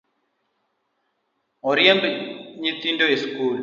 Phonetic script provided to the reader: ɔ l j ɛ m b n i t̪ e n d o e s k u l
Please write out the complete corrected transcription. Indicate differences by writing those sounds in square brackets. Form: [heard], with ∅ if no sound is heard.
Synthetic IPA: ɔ [ɾ] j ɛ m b [ɲ] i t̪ [i] n d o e s k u l